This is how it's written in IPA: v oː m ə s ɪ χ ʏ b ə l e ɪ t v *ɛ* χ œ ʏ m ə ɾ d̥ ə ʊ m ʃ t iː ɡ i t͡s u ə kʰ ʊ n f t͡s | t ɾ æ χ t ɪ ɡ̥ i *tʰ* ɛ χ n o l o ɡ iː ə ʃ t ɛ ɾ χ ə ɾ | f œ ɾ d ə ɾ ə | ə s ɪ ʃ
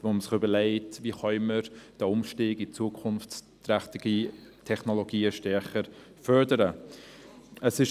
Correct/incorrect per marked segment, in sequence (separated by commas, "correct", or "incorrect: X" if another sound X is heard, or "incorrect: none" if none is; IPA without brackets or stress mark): incorrect: i, correct